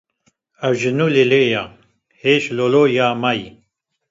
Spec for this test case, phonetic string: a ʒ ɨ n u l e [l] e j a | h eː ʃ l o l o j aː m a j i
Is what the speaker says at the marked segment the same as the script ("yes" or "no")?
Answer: yes